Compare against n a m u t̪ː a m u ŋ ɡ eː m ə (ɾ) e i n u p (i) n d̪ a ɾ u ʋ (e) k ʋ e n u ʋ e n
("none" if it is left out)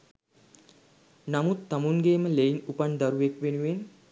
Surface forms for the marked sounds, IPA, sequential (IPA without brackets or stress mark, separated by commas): l, a, e